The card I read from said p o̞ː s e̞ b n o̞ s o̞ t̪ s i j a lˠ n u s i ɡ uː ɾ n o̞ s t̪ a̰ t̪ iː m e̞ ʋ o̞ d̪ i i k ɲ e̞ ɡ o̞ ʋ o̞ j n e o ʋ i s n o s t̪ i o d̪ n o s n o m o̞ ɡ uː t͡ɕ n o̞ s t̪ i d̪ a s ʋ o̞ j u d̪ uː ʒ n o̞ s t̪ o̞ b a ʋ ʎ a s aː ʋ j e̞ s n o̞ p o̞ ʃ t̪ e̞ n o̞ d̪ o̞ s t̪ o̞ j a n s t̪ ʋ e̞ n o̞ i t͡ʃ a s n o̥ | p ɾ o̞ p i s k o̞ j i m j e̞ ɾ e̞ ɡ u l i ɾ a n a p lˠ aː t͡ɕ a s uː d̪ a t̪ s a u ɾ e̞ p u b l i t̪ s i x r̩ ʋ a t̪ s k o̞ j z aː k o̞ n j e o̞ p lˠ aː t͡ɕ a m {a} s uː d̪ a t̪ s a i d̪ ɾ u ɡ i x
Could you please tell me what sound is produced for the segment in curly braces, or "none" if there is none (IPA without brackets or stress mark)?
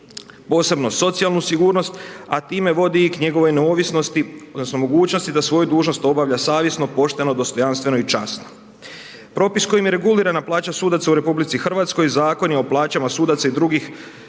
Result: a